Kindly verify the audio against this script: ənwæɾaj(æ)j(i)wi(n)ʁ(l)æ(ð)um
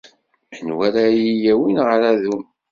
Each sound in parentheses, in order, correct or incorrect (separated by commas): incorrect, incorrect, correct, incorrect, correct